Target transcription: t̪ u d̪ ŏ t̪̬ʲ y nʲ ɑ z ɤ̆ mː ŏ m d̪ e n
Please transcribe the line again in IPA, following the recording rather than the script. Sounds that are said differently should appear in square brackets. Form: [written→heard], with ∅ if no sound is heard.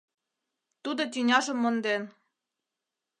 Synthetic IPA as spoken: t̪ u d̪ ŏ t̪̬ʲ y nʲ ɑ [z→ʒ] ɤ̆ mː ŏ [m→n] d̪ e n